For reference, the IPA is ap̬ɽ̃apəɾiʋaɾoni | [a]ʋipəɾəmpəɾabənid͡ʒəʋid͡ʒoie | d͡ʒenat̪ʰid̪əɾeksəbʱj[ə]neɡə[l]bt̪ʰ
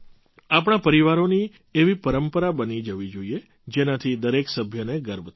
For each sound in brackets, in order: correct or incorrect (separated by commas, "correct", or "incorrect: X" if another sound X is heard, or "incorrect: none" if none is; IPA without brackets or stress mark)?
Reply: incorrect: e, correct, incorrect: ɾ